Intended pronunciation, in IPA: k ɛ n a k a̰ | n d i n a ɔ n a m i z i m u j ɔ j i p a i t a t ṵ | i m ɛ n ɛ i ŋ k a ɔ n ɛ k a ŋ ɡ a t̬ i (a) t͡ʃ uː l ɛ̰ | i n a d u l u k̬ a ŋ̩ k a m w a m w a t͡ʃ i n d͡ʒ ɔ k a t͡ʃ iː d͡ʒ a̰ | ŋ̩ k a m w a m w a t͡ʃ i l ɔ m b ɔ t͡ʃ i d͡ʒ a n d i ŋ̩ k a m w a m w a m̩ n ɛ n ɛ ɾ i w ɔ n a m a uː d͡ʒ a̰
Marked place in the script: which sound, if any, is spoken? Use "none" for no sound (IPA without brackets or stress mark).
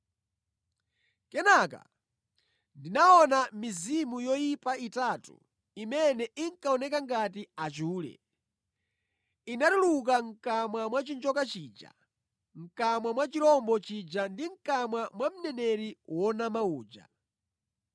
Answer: a